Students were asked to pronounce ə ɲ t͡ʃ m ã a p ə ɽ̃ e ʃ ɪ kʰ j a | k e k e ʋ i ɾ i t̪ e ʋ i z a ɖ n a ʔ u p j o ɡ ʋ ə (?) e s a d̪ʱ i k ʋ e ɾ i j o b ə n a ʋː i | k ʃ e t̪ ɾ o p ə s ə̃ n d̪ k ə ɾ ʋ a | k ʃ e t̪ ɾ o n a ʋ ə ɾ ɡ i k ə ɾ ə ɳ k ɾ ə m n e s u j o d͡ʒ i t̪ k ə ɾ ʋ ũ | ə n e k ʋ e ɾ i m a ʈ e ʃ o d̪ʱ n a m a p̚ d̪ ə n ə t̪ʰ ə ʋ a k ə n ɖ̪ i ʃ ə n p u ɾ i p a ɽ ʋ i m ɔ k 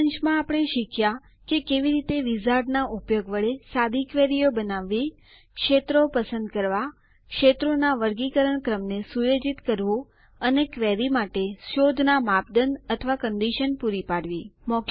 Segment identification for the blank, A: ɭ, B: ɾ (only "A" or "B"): A